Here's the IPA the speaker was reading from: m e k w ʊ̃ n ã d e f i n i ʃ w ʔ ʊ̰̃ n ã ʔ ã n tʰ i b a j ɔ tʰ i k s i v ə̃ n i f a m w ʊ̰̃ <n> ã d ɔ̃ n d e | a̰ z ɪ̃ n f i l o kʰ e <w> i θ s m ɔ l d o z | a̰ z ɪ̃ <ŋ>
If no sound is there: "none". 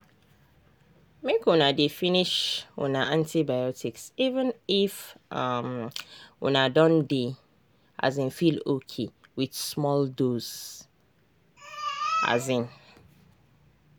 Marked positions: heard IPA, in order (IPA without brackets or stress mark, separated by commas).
n, w, n